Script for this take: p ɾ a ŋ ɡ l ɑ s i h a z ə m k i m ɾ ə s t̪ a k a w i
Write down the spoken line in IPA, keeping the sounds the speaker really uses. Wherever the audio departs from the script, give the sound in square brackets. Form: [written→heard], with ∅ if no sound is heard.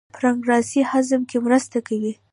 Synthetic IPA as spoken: p ɾ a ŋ ɡ [l→ɾ] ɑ s i h a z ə m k [i→e] m ɾ ə s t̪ a k a w i